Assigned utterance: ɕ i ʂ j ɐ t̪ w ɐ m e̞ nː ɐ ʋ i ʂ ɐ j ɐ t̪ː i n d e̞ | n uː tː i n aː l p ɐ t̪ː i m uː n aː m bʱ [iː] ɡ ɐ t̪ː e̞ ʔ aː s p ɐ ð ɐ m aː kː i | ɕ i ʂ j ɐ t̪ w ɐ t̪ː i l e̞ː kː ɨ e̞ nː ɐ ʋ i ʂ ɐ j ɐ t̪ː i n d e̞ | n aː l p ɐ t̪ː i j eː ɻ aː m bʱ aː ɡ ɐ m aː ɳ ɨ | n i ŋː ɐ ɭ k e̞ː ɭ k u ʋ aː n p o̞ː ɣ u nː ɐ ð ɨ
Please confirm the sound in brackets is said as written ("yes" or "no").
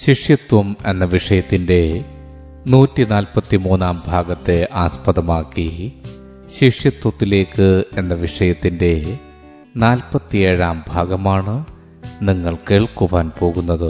no